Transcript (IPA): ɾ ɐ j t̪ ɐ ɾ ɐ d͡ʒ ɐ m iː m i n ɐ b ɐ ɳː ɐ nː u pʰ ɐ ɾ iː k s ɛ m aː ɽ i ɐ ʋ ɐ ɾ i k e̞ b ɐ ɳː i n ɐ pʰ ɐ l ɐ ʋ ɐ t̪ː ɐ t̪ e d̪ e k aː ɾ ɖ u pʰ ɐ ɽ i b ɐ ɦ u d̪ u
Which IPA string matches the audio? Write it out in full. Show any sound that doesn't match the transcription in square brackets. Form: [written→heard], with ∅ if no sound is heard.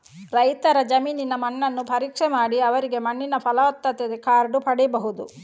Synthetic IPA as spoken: ɾ ɐ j t̪ ɐ ɾ ɐ d͡ʒ ɐ m iː [m→n] i n ɐ [b→m] ɐ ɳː ɐ nː u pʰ ɐ ɾ iː k [s→ʂ] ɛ m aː ɽ i ɐ ʋ ɐ ɾ i [k→ɡ] e̞ [b→m] ɐ ɳː i n ɐ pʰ ɐ l ɐ ʋ ɐ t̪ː ɐ t̪ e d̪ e k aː ɾ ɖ u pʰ ɐ ɽ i b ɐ ɦ u d̪ u